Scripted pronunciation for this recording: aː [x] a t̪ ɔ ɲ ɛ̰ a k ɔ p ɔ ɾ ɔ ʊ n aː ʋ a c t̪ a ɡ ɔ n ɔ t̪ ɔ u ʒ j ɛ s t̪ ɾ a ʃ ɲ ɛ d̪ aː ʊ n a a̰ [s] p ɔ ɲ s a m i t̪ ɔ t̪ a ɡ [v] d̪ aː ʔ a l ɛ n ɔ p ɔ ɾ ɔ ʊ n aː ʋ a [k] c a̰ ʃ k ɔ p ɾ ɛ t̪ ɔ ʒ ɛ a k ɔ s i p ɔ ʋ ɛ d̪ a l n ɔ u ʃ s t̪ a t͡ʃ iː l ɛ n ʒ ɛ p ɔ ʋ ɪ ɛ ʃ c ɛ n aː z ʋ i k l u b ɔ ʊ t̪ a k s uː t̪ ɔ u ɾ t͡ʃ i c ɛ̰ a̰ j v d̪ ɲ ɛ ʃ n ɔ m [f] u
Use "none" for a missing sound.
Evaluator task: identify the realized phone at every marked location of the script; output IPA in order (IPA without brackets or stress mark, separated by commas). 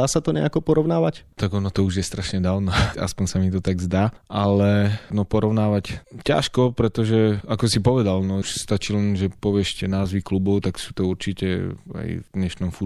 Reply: s, s, z, c, f